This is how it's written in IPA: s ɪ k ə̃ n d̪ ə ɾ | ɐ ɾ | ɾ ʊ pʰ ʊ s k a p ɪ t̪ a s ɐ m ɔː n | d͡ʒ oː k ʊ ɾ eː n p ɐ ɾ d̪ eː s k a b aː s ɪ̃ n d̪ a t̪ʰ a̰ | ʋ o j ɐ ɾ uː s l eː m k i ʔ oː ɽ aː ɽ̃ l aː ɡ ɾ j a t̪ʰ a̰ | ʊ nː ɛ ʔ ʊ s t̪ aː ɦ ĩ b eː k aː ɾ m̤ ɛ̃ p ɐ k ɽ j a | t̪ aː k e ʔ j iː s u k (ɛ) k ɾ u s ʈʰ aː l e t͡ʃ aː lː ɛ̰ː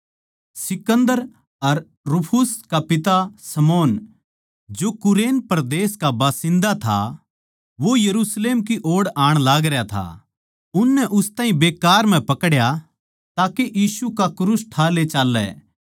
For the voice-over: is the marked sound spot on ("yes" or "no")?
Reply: no